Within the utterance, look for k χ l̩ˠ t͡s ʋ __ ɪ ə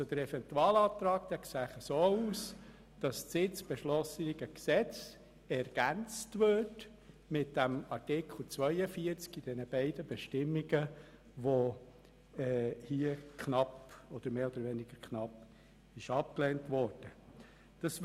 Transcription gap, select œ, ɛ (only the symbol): œ